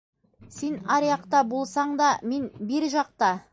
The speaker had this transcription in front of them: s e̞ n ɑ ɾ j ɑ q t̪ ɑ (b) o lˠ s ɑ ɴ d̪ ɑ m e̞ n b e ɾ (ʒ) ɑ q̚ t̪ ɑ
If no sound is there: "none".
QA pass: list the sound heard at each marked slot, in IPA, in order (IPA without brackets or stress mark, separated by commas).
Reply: b, ʒ